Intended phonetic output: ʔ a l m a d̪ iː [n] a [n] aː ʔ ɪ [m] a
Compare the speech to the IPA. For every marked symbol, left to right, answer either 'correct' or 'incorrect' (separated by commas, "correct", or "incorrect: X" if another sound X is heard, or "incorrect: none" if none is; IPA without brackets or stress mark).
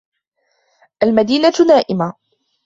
correct, correct, correct